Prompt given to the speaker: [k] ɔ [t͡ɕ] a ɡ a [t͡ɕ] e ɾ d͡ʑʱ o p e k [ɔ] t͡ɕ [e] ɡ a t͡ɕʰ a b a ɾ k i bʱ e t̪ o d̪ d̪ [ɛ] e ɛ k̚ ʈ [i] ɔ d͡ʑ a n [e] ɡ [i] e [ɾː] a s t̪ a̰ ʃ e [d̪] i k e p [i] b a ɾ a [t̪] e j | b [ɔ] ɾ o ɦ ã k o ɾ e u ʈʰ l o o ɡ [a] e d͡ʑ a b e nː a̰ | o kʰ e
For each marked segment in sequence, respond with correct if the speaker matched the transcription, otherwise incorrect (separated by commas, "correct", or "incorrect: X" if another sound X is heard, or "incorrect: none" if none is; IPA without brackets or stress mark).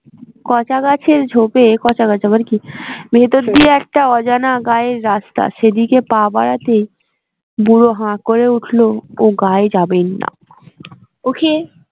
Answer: correct, correct, incorrect: t͡ɕʰ, correct, incorrect: a, incorrect: i, incorrect: a, incorrect: a, incorrect: a, correct, correct, incorrect: a, correct, incorrect: u, correct